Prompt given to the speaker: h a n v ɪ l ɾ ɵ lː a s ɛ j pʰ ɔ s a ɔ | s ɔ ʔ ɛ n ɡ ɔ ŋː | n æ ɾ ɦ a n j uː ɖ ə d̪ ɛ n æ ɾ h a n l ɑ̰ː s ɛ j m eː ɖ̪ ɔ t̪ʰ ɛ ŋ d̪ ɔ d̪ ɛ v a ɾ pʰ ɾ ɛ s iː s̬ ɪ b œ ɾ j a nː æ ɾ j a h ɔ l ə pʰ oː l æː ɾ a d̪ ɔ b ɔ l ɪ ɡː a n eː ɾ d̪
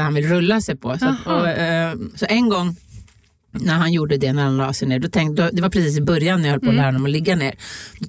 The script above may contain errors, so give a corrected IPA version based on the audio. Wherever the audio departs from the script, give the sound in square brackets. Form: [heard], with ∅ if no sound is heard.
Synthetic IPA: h a n v ɪ l ɾ ɵ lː a s ɛ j pʰ ɔ s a ɔ | s ɔ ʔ ɛ n ɡ ɔ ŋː | n æ ɾ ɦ a n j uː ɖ ə d̪ ɛ n æ ɾ h a n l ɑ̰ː s ɛ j [n] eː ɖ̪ ɔ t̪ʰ ɛ ŋ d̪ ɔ d̪ ɛ v a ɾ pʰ ɾ ɛ s iː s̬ ɪ b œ ɾ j a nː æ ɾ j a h ɔ l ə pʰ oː l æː ɾ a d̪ ɔ [m] ɔ l ɪ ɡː a n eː ɾ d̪